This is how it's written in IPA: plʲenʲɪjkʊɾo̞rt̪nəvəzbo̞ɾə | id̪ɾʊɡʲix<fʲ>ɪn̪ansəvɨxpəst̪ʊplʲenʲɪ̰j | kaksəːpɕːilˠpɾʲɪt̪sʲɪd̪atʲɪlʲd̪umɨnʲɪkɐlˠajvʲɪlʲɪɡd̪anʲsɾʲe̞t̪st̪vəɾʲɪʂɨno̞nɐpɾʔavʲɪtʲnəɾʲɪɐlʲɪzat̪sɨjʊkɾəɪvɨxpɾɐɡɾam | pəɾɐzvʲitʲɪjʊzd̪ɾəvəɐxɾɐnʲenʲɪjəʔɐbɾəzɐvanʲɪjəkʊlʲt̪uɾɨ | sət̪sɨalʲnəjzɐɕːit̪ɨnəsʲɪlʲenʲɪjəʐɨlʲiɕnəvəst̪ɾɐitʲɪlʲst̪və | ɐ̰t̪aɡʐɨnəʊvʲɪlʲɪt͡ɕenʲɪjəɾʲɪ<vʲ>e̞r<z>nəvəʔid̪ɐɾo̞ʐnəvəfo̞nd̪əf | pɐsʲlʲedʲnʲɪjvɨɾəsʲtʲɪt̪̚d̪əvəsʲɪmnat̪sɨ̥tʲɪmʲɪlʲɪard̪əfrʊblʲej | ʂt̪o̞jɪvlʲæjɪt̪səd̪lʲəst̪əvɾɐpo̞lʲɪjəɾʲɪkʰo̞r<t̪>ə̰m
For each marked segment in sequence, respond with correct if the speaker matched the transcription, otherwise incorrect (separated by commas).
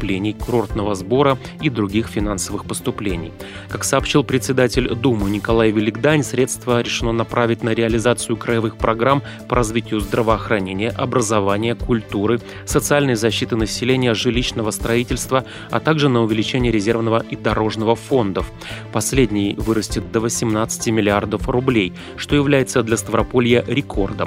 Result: correct, incorrect, incorrect, incorrect